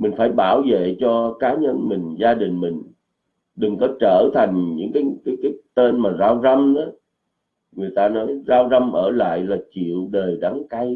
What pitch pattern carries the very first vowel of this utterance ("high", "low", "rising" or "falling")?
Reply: low